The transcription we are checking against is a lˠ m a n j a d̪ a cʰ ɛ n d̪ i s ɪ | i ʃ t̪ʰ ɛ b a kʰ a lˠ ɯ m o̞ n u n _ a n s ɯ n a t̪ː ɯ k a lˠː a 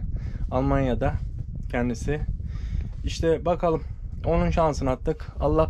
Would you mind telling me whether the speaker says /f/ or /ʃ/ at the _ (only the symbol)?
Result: ʃ